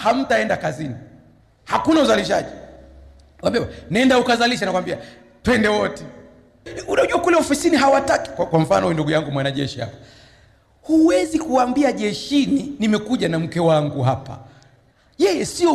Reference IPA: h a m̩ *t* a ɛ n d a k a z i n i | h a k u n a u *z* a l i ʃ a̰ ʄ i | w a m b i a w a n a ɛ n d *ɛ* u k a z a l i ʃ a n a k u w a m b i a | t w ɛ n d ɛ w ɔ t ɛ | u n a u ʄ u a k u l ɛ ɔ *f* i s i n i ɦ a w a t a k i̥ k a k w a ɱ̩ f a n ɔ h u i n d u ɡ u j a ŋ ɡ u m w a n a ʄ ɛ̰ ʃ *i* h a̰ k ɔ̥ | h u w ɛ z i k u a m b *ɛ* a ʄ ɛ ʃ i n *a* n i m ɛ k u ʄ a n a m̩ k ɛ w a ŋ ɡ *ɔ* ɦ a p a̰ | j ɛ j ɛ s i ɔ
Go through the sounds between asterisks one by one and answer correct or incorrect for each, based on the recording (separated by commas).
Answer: correct, correct, incorrect, correct, correct, incorrect, incorrect, incorrect